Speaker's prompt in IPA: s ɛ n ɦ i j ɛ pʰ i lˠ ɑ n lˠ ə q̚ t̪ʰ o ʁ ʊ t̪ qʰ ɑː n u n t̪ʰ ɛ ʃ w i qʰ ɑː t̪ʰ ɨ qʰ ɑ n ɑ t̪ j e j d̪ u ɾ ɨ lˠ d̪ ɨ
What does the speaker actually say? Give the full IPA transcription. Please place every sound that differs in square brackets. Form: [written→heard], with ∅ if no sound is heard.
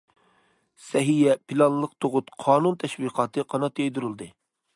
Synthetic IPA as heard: s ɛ [n→∅] ɦ i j ɛ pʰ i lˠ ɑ n lˠ ə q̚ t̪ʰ o ʁ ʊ t̪ qʰ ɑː n u n t̪ʰ ɛ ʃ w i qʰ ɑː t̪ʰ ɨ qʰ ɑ n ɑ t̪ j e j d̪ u ɾ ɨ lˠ d̪ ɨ

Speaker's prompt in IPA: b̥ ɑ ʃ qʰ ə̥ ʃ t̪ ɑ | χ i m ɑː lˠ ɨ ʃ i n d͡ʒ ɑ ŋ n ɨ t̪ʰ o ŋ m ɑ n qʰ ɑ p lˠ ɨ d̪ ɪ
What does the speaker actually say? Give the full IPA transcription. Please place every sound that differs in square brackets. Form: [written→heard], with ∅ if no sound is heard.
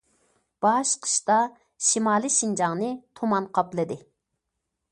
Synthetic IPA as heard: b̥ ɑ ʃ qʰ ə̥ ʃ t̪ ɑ | [χ→ʃ] i m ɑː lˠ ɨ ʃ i n d͡ʒ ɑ ŋ n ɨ t̪ʰ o [ŋ→∅] m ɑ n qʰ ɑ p lˠ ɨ d̪ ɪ

